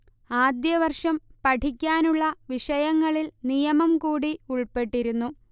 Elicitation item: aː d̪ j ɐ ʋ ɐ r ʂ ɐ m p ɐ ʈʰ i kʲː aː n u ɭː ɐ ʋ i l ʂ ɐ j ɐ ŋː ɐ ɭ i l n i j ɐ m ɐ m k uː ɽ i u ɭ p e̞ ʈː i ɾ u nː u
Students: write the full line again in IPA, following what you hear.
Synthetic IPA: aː d̪ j ɐ ʋ ɐ r ʂ ɐ m p ɐ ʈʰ i kʲː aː n u ɭː ɐ ʋ i ʂ ɐ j ɐ ŋː ɐ ɭ i l n i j ɐ m ɐ m k uː ɽ i u ɭ p e̞ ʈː i ɾ u nː u